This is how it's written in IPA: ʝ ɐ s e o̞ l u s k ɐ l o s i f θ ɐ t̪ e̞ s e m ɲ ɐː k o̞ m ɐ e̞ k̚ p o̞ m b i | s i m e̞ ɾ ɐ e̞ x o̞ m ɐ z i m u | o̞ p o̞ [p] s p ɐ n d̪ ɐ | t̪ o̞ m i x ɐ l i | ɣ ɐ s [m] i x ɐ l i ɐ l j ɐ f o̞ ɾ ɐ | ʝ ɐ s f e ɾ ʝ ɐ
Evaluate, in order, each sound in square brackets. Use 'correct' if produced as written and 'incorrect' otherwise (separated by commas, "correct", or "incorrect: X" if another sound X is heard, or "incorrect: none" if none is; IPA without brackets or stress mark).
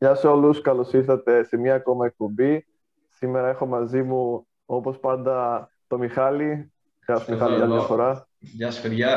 incorrect: none, correct